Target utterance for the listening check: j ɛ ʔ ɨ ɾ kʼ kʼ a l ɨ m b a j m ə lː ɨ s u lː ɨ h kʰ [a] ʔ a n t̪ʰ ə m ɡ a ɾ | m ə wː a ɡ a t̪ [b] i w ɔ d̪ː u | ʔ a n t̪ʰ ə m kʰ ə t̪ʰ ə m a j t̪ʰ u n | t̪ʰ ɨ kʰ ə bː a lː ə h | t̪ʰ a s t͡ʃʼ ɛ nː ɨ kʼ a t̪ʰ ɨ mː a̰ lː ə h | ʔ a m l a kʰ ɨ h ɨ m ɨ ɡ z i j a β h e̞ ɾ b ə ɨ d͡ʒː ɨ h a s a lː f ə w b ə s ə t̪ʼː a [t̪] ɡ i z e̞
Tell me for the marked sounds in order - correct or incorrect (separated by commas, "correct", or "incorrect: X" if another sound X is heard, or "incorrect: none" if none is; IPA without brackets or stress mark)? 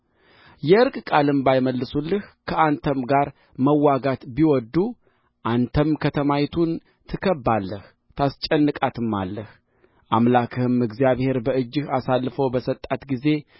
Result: incorrect: ə, correct, correct